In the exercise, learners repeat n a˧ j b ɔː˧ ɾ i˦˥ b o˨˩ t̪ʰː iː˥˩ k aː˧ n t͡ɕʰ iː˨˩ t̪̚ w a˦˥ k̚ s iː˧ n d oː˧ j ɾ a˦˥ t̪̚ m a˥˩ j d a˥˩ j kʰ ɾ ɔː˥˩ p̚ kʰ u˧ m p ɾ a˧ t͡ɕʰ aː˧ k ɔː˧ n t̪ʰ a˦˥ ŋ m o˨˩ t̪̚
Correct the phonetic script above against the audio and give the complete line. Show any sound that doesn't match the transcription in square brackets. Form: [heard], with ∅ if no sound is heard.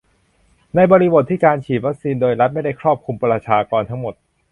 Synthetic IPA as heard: n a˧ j b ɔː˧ ɾ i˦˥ b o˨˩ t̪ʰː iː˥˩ k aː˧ n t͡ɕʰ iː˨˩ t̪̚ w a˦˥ k̚ s iː˧ n d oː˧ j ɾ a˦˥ t̪̚ m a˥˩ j d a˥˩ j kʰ ɾ ɔː˥˩ p̚ kʰ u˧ m p ɾ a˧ t͡ɕʰ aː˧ k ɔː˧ n t̪ʰ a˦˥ ŋ m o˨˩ t̪̚